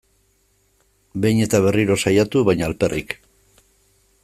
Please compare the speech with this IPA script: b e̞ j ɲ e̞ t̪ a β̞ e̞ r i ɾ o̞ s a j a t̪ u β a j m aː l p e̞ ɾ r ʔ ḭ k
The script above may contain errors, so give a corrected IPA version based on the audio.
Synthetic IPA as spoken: b e̞ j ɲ e̞ t̪ a β̞ e̞ r i ɾ o̞ s a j a t̪ u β a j ɲ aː l p e̞ r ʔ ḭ k